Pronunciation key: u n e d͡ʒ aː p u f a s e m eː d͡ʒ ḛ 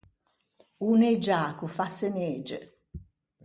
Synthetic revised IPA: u n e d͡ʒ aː k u f a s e n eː d͡ʒ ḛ